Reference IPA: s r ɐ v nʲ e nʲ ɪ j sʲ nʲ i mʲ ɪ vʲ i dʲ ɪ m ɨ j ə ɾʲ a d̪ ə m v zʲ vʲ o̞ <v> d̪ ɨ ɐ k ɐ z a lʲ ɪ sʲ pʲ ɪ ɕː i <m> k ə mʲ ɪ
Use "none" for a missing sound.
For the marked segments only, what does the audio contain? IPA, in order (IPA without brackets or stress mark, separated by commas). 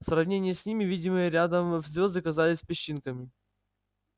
z, n